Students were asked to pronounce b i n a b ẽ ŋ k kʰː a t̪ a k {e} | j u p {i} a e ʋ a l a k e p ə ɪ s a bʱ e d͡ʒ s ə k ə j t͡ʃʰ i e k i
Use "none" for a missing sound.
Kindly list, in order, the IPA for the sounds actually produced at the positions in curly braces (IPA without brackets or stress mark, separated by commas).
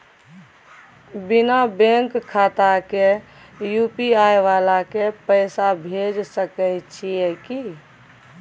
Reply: e, i